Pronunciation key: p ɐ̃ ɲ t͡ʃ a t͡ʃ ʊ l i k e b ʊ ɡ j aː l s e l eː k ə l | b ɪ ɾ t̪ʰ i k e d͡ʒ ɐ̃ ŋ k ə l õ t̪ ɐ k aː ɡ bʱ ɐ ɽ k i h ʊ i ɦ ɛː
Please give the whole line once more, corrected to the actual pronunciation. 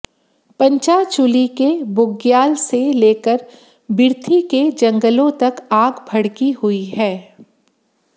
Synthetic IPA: p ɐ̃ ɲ t͡ʃ a t͡ʃ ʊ l i k e b ʊ ɡ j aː l s e l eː k ə ɾ | b ɪ ɾ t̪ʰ i k e d͡ʒ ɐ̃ ŋ ɡ ə l õ t̪ ɐ k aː ɡ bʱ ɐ ɽ k i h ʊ i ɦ ɛː

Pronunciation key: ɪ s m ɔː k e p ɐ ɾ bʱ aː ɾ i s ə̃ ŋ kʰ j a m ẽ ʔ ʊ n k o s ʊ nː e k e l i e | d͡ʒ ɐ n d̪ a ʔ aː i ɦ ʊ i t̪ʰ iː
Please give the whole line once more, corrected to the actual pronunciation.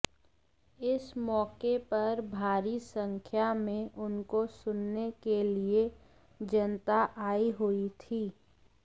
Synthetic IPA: ɪ s m ɔː k e p ɐ ɾ bʱ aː ɾ i s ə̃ ŋ kʰ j a m ẽ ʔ ʊ n k o s ʊ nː e k e l i e | d͡ʒ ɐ n t̪ a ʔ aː i ɦ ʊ i t̪ʰ iː

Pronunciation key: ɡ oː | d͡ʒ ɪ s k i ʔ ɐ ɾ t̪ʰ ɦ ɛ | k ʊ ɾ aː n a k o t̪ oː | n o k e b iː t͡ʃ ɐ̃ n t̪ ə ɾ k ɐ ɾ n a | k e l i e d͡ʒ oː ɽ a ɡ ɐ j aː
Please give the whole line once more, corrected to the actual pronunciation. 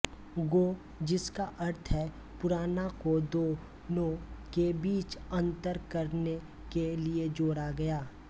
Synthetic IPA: ɡ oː | d͡ʒ ɪ s k a ʔ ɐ ɾ t̪ʰ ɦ ɛ | p ʊ ɾ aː n a k o d̪ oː | n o k e b iː t͡ʃ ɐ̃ n t̪ ə ɾ k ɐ ɾ n e | k e l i e d͡ʒ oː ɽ a ɡ ɐ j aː

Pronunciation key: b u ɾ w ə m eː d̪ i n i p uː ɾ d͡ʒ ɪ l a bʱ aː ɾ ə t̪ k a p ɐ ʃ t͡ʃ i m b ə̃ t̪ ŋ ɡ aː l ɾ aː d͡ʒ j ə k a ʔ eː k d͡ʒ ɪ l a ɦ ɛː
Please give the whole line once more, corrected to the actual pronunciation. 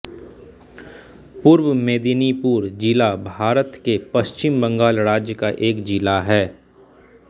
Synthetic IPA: p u ɾ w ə m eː d̪ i n i p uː ɾ d͡ʒ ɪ l a bʱ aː ɾ ə t̪ k e p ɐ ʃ t͡ʃ ɪ m b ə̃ ŋ ɡ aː l ɾ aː d͡ʒ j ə k a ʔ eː k d͡ʒ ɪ l a ɦ ɛː

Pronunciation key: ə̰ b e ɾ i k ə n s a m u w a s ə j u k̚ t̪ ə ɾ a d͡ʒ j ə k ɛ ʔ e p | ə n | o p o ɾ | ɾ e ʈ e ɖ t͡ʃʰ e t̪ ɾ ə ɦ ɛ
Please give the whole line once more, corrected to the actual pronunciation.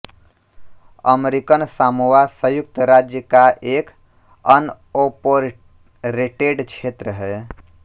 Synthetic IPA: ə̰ m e ɾ i k ə n s a m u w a s ə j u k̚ t̪ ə ɾ a d͡ʒ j ə k a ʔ e k | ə n | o p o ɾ | ɾ e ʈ e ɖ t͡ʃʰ e t̪ ɾ ə ɦ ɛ

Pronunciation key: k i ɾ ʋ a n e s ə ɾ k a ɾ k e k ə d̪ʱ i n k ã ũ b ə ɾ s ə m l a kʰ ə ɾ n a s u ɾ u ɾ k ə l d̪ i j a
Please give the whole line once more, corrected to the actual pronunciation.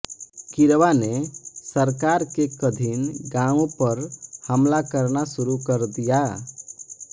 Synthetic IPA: k i ɾ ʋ a n e s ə ɾ k a ɾ k e k ə d̪ʱ i n ɡ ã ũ p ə ɾ h ə m l a k ə ɾ n a s u ɾ u k ə ɾ d̪ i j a

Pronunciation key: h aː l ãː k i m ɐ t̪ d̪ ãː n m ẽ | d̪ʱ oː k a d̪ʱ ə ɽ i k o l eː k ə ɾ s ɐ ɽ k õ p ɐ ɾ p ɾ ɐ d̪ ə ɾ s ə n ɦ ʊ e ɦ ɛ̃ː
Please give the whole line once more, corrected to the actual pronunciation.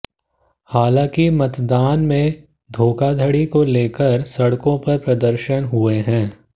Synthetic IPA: h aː l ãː k i m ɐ t̪ d̪ aː n m ẽ | d̪ʱ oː k a d̪ʱ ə ɽ i k o l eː k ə ɾ s ɐ ɽ k õ p ɐ ɾ p ɾ ɐ d̪ ə ɾ ʃ ə n ɦ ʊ e ɦ ɛ̃ː

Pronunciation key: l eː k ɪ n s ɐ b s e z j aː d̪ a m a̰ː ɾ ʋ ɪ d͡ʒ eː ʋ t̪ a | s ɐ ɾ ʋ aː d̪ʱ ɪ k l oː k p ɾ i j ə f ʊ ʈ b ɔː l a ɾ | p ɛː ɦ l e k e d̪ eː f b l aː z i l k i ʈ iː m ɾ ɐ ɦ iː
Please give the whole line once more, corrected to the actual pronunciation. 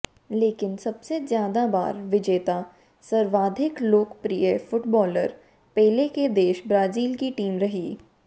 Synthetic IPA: l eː k ɪ n s ɐ b s e z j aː d̪ a b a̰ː ɾ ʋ ɪ d͡ʒ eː t̪ a | s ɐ ɾ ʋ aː d̪ʱ ɪ k l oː k p ɾ i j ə f ʊ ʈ b ɔː l ə ɾ | p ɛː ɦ l e k e d̪ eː ʃ b ɾ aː z iː l k i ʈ iː m ɾ ɐ ɦ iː

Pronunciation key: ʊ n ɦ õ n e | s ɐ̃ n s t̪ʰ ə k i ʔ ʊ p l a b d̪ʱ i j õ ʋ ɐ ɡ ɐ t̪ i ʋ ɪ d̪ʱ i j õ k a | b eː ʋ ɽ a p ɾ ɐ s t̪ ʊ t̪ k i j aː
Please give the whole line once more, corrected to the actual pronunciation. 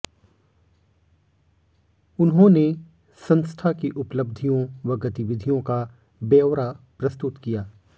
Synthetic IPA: ʊ n ɦ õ n e | s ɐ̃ n s t̪ʰ a k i ʔ ʊ p l ə b d̪ʱ i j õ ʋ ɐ ɡ ɐ t̪ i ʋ ɪ d̪ʱ i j õ k a | b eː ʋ ɾ a p ɾ ɐ s t̪ ʊ t̪ k i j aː

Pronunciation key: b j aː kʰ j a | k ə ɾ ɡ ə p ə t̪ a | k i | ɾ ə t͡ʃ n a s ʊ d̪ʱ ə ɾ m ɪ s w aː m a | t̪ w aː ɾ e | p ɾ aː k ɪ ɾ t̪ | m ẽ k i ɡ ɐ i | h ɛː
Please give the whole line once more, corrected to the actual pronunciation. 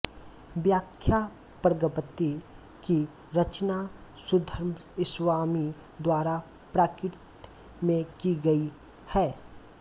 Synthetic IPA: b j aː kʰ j a | p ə ɾ ɡ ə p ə t̪ i | k i | ɾ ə t͡ʃ n a s ʊ d̪ʱ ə ɾ m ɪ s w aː m i | d̪ w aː ɾ a | p ɾ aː k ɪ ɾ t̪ | m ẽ k i ɡ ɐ i | h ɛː

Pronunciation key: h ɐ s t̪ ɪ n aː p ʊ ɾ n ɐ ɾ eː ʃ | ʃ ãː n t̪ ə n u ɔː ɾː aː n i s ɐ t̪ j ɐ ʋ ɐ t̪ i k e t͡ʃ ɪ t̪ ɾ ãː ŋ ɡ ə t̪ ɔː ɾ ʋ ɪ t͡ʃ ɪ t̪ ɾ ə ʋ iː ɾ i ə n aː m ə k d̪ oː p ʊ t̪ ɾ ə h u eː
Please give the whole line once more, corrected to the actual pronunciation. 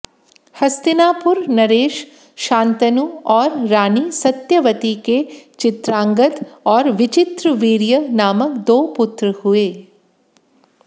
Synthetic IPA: h ɐ s t̪ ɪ n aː p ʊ ɾ n ɐ ɾ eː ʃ | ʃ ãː n t̪ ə n u ɔː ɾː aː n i s ɐ t̪ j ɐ ʋ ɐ t̪ i k e t͡ʃ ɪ t̪ ɾ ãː ŋ ɡ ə t̪ ɔː ɾ ʋ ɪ t͡ʃ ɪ t̪ ɾ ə ʋ iː ɾ j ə n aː m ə k d̪ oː p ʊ t̪ ɾ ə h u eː

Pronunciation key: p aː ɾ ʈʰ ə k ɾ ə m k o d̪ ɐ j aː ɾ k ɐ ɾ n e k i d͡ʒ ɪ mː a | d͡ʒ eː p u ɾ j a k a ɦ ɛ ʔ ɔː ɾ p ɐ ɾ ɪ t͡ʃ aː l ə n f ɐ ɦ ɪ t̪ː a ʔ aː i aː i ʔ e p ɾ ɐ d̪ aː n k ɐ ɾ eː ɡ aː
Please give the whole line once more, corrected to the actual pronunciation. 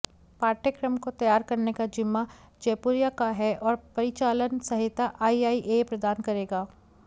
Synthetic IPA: p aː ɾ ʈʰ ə k ɾ ə m k o t̪ ɐ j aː ɾ k ɐ ɾ n e k a d͡ʒ ɪ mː a | d͡ʒ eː p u ɾ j a k a ɦ ɛ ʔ ɔː ɾ p ɐ ɾ ɪ t͡ʃ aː l ə n s ɐ ɦ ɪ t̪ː a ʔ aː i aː i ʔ e p ɾ ɐ d̪ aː n k ɐ ɾ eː ɡ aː

